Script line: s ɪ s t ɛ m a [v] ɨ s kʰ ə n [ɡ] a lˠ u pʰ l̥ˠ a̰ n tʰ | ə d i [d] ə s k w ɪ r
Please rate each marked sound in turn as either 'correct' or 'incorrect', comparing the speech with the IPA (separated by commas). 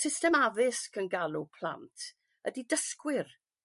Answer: correct, correct, correct